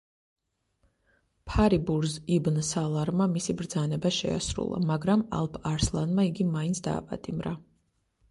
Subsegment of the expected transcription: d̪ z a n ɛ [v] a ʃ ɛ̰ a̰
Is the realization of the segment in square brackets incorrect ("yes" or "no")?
yes